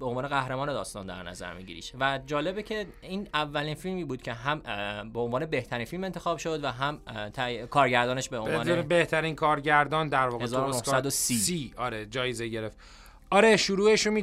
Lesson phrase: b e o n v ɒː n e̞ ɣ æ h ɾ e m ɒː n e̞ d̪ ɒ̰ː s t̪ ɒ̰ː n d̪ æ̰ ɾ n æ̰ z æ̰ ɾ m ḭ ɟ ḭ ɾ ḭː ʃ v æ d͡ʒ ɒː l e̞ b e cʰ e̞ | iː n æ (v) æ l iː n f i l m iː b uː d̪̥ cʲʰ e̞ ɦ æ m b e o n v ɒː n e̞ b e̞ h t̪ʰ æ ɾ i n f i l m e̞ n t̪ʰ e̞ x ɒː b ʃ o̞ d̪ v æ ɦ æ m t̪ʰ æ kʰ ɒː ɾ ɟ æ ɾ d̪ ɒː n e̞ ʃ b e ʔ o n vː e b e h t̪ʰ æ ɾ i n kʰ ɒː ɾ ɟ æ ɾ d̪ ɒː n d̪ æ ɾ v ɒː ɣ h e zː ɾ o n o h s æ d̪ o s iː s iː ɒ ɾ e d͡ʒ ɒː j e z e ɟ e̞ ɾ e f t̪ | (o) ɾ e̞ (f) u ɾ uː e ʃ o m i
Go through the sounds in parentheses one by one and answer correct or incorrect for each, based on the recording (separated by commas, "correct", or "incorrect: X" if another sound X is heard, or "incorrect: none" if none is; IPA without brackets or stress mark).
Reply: incorrect: vː, incorrect: ɒ, incorrect: ʃ